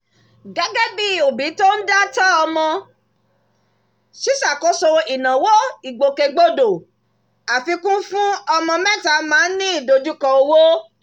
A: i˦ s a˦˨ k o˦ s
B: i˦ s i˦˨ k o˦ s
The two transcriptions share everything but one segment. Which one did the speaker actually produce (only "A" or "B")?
A